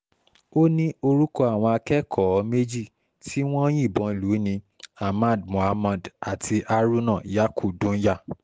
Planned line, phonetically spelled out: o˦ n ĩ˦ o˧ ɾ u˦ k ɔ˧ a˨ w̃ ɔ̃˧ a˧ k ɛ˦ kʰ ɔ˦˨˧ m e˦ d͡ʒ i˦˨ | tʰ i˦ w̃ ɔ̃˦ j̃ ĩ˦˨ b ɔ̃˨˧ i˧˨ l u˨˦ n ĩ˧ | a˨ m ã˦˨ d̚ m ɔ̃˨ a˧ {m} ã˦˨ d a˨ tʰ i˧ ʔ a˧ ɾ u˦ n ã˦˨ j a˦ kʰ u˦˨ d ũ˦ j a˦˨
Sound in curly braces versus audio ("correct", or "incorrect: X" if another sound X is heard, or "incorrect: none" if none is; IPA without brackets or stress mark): correct